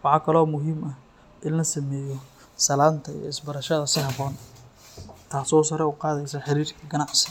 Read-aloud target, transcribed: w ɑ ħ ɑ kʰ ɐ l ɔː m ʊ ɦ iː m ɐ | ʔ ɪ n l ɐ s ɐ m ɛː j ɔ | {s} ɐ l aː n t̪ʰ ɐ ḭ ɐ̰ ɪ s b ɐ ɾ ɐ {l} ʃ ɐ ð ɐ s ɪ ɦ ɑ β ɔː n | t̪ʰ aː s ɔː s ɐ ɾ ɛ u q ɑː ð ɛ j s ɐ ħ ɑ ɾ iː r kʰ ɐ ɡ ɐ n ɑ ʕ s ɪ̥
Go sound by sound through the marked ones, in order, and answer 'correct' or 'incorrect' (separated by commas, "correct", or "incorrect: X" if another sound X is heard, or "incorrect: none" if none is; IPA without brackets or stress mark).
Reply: correct, incorrect: none